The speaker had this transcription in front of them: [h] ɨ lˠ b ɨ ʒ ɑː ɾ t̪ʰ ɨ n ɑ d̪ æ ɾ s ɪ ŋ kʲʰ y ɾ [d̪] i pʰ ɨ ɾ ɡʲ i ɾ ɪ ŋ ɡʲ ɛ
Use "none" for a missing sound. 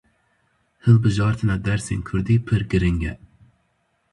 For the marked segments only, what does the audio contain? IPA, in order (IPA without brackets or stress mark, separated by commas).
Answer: h, d̪